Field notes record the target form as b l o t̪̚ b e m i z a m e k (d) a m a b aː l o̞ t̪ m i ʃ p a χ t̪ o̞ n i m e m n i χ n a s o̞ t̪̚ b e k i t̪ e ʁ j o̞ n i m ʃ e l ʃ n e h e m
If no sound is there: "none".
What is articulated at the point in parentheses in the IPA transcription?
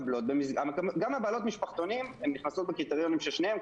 ɡ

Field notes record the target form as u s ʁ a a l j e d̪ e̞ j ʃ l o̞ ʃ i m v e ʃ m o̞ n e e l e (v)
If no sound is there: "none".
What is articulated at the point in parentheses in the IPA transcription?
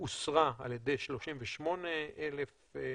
f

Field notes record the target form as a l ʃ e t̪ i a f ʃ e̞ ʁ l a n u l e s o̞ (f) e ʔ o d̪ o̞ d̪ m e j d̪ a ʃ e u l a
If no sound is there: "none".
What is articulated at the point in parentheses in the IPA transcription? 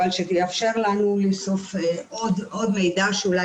f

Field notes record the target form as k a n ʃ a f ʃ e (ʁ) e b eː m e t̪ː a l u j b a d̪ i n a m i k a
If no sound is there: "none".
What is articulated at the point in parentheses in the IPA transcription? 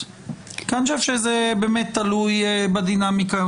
z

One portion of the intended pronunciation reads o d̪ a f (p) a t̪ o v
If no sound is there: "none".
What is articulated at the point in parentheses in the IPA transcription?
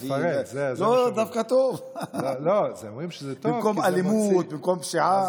k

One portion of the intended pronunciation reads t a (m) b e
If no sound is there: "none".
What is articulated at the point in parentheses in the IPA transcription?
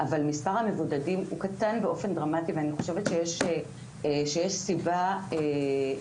n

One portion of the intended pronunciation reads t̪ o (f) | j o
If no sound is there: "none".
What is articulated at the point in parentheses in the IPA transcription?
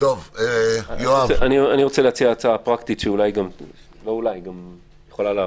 v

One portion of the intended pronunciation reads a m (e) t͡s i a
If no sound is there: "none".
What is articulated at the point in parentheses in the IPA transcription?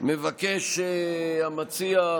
a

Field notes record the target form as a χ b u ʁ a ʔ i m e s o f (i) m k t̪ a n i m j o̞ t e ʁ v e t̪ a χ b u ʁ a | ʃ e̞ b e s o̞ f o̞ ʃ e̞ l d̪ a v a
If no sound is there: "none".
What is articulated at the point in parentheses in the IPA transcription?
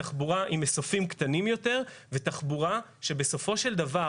i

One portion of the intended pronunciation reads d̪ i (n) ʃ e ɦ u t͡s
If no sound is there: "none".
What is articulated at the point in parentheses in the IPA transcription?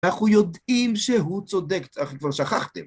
m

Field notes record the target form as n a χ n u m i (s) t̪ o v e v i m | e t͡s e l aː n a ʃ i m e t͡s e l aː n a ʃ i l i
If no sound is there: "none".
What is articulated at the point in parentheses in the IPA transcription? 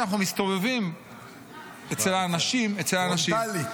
s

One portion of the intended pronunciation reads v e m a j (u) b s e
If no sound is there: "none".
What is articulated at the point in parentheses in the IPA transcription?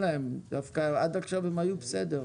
u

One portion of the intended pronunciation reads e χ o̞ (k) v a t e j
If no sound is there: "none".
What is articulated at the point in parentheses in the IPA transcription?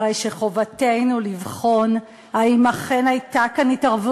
none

